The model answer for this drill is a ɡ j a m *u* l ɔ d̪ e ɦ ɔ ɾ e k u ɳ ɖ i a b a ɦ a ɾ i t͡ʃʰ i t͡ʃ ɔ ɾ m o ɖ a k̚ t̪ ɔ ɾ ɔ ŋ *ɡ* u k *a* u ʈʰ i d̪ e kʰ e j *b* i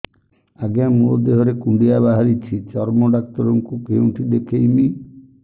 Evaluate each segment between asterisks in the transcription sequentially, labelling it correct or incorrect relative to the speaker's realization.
correct, incorrect, incorrect, incorrect

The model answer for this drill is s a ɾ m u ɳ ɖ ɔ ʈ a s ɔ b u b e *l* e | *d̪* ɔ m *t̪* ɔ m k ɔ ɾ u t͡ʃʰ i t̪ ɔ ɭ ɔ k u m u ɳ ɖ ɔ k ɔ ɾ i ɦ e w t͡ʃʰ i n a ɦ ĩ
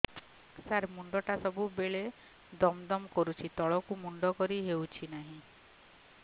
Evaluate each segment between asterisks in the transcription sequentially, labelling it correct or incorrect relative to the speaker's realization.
incorrect, correct, incorrect

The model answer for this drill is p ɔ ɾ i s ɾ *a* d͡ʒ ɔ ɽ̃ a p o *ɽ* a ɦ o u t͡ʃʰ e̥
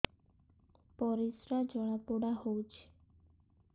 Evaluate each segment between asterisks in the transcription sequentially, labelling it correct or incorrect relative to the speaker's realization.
correct, correct

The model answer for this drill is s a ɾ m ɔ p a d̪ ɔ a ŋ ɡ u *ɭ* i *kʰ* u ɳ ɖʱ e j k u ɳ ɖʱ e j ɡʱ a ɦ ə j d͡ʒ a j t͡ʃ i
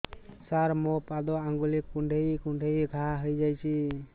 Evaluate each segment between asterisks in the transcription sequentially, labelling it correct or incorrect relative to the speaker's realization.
incorrect, incorrect

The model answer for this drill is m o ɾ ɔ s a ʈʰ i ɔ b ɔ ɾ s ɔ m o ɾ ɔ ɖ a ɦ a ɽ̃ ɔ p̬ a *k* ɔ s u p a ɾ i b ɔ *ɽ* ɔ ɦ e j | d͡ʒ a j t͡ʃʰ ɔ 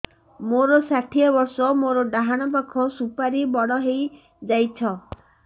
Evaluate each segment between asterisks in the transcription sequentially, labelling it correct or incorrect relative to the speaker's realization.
incorrect, correct

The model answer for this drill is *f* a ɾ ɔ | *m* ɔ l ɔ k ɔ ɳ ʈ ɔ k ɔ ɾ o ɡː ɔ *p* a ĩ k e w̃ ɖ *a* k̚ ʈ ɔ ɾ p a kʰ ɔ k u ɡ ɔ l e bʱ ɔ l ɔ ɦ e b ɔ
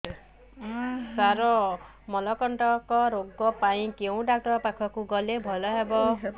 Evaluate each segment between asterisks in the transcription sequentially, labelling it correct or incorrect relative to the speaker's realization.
incorrect, correct, correct, correct

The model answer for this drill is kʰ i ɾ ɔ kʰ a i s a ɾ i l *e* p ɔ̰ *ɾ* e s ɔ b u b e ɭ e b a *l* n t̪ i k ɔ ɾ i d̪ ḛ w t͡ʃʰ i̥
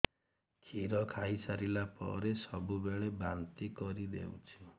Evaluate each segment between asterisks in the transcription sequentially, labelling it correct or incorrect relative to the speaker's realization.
incorrect, correct, incorrect

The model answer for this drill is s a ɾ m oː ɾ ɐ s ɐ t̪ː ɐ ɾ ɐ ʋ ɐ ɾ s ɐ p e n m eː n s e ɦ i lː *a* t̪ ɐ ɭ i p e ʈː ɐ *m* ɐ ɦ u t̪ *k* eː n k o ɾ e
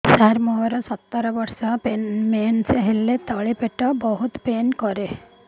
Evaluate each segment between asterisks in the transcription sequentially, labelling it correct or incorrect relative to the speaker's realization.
incorrect, incorrect, incorrect

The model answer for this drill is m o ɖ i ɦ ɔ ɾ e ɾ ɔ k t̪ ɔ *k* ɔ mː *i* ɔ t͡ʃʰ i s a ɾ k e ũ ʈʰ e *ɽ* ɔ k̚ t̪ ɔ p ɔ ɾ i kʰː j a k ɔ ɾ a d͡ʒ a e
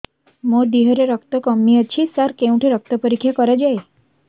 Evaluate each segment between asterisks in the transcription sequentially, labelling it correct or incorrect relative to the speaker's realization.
correct, correct, incorrect

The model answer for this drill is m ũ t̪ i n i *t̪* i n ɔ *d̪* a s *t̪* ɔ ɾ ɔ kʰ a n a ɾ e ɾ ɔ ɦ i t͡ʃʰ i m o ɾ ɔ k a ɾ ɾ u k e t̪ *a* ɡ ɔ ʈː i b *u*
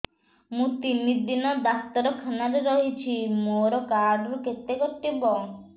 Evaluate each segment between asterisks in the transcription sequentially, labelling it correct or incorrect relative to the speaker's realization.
incorrect, correct, correct, incorrect, incorrect

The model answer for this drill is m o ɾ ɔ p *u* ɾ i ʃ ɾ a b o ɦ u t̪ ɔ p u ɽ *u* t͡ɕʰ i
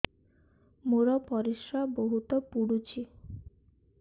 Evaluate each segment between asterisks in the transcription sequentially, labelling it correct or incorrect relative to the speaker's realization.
incorrect, correct

